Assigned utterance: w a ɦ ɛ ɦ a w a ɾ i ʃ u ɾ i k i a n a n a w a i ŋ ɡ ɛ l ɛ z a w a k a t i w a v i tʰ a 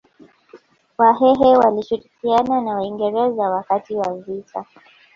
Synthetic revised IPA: w a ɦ ɛ ɦ ɛ w a l i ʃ u ɾ i k i a n a n a w a i ŋ ɡ ɛ ɾ ɛ z a w a k a t i w a v i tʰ a